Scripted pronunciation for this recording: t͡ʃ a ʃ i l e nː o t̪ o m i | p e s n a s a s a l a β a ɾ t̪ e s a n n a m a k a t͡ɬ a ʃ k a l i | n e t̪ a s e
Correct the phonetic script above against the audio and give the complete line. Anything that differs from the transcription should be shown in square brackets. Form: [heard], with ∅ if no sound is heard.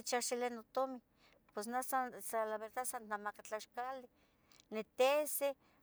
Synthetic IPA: t͡ʃ a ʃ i l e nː o t̪ o m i | p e s n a s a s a l a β [e] ɾ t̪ [a] s a n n a m a k a t͡ɬ a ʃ k a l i | n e t̪ [e] s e